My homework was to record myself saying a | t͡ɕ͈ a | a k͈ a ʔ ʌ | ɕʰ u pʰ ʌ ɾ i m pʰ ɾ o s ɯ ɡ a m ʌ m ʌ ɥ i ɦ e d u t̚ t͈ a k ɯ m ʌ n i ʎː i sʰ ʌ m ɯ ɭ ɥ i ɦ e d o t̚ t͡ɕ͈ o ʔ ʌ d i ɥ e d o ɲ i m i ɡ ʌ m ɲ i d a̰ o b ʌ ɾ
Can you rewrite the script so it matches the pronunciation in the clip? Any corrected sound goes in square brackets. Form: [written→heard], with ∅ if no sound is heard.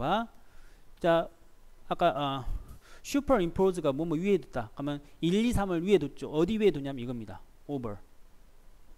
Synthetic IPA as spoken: a | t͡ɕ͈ a | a k͈ a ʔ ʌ | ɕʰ u pʰ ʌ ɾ i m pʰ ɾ o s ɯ ɡ a m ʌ m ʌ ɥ i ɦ e d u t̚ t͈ a k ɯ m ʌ n i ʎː i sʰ [ʌ→a] m ɯ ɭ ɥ i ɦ e d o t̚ t͡ɕ͈ o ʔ ʌ d i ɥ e d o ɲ [i→a] m i ɡ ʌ m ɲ i d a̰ o b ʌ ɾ